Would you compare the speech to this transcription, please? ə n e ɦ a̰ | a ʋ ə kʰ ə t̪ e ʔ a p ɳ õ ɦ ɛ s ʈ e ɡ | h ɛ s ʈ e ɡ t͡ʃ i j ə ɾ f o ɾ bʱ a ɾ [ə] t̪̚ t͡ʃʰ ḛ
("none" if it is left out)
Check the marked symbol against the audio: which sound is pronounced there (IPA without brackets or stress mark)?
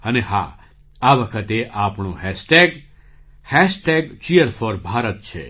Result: ə